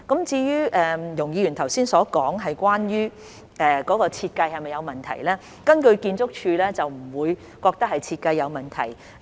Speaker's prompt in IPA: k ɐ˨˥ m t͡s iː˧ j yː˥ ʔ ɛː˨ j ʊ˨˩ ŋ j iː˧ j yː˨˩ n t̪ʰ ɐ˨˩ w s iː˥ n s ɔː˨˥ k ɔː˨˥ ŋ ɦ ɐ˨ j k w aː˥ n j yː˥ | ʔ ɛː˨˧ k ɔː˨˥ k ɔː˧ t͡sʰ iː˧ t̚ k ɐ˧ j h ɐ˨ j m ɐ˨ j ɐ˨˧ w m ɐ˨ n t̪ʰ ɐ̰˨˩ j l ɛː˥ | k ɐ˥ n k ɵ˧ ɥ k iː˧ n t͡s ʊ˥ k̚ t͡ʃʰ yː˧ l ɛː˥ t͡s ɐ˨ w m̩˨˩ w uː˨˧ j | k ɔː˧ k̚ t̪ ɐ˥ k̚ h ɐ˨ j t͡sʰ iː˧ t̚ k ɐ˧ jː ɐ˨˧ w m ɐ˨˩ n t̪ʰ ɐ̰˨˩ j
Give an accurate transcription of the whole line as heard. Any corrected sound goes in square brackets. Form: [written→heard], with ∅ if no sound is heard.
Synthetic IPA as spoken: k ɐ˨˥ m t͡s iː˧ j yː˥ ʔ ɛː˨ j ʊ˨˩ ŋ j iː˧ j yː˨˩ n t̪ʰ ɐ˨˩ w s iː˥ n s ɔː˨˥ k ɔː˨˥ ŋ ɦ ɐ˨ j k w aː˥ n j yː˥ | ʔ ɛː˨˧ k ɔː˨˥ k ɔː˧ t͡sʰ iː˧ t̚ k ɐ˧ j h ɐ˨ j m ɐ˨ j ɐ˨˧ w m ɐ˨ n t̪ʰ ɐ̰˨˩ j l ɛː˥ | k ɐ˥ n k ɵ˧ ɥ k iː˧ n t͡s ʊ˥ k̚ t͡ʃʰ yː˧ l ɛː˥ t͡s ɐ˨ w m̩˨˩ w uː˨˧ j | k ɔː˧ k̚ t̪ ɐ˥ k̚ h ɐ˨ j t͡sʰ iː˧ t̚ k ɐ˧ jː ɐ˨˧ w m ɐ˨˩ n t̪ʰ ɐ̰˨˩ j